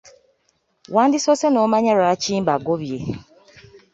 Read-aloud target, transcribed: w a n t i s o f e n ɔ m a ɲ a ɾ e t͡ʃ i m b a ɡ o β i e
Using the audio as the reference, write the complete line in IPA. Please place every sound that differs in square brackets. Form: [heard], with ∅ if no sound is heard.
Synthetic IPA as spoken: w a n [d] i s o [s] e n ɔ m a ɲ a ɾ [a] t͡ʃ i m b a ɡ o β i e